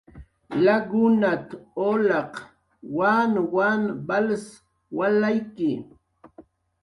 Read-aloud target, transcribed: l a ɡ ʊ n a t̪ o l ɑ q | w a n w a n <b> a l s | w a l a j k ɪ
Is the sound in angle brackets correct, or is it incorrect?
correct